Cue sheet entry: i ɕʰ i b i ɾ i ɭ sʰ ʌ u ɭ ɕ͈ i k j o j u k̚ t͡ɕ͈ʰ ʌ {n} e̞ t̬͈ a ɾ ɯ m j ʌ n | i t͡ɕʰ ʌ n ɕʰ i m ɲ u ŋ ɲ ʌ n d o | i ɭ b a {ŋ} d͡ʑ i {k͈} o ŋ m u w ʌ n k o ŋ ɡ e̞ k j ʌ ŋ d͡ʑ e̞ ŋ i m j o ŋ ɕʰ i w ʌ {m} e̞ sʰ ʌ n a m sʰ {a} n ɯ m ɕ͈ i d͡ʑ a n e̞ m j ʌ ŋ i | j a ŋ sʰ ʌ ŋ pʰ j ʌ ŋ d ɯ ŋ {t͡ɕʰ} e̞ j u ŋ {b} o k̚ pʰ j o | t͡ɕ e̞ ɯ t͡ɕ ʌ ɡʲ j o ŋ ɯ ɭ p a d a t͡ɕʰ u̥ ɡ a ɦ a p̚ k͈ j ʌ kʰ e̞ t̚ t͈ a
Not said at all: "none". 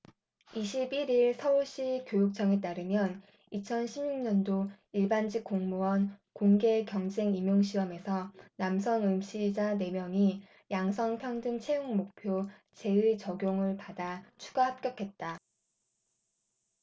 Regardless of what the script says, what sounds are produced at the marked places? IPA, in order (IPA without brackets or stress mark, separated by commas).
ŋ, n, k͈, m, ʌ, t͡ɕʰ, m